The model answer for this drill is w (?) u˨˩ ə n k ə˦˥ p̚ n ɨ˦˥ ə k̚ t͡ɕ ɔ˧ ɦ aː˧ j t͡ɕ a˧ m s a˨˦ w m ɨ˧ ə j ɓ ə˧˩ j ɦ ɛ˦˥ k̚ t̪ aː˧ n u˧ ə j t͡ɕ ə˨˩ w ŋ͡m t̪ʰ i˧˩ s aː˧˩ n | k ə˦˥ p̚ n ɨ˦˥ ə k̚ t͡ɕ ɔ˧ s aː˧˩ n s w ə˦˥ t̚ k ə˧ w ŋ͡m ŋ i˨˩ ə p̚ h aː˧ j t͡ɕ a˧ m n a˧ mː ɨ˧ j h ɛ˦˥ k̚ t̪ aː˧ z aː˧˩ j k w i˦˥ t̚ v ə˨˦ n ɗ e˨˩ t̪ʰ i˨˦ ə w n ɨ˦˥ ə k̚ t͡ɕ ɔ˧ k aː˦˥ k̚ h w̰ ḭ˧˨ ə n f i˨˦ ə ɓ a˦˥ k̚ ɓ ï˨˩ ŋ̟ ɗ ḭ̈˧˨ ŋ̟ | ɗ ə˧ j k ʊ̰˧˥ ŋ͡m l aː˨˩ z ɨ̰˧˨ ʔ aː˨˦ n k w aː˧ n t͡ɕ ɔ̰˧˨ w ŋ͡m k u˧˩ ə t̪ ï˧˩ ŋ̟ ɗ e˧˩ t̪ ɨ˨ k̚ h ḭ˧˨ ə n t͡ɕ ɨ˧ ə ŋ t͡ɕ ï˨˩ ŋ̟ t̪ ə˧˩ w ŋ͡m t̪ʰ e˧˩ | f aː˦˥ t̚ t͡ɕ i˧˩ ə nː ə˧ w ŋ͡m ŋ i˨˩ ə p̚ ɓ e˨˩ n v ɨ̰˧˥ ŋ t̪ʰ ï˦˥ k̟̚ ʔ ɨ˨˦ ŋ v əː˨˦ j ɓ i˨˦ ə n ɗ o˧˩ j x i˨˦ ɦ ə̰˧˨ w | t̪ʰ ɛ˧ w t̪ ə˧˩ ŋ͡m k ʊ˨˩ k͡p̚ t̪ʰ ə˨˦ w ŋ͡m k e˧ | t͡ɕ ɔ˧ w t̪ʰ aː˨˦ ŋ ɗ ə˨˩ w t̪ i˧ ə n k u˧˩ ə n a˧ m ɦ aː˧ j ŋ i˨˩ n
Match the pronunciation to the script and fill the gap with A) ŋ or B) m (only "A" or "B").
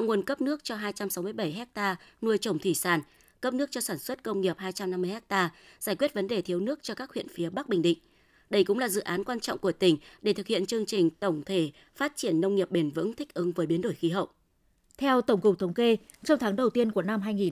A